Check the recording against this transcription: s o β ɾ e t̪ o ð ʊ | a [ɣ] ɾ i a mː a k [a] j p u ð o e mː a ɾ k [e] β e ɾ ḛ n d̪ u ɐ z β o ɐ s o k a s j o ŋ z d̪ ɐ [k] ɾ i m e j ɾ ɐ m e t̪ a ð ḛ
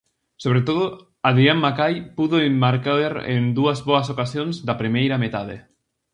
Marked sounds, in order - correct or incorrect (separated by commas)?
incorrect, correct, incorrect, incorrect